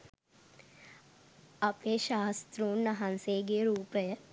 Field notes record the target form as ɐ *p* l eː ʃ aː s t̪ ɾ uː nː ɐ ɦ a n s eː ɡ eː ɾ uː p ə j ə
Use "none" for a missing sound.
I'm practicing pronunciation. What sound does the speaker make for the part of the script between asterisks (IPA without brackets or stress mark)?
p